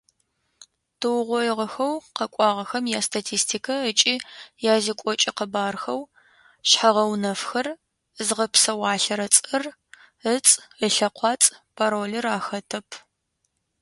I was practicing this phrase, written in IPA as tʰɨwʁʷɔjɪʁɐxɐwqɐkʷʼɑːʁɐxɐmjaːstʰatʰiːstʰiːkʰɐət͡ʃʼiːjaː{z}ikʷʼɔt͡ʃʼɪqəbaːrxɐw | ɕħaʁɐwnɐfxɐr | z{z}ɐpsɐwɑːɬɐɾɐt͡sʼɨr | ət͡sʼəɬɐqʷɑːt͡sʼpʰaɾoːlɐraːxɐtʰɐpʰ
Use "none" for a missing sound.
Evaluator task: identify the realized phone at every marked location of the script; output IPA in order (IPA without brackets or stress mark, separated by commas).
z, ʁ